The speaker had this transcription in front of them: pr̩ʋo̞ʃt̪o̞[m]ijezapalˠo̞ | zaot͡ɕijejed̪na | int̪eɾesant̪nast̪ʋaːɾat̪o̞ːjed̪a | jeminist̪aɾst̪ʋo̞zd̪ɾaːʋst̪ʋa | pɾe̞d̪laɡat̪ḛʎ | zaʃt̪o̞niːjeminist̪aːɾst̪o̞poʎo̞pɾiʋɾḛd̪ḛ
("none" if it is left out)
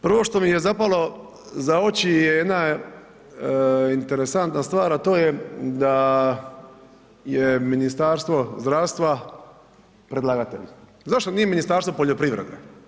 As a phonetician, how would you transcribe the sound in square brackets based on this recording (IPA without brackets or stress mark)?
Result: m